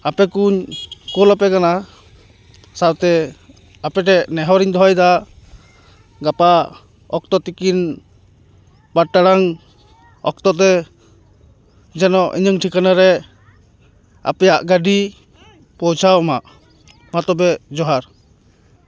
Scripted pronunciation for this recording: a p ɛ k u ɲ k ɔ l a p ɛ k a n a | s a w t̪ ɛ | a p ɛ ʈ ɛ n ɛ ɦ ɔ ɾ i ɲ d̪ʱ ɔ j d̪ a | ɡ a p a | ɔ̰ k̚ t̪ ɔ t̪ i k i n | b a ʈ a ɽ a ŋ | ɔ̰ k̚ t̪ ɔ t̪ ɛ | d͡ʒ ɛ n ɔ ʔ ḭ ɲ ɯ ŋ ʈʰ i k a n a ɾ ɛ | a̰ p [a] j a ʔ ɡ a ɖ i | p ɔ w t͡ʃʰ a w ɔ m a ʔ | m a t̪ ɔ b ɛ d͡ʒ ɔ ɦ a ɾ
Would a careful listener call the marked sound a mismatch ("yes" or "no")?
yes